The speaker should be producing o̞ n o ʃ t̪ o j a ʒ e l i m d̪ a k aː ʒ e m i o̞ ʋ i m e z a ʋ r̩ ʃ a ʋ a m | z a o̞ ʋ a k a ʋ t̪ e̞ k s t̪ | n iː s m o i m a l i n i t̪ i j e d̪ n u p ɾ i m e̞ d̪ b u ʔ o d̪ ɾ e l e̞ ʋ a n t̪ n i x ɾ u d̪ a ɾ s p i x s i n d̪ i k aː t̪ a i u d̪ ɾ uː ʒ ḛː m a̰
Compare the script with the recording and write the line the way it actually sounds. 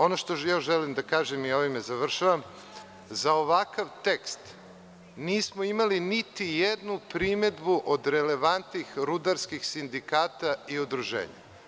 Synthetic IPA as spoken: o̞ n o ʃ t̪ o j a ʒ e l i m d̪ a k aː ʒ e m i o̞ ʋ i m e z a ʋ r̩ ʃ a ʋ a m | z a o̞ ʋ a k a ʋ t̪ e̞ k s t̪ | n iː s m o i m a l i n i t̪ i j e d̪ n u p ɾ i m e̞ d̪ b u ʔ o d̪ ɾ e l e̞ ʋ a n t̪ n i x ɾ u d̪ a ɾ s k i x s i n d̪ i k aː t̪ a i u d̪ ɾ u ʒ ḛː ɲ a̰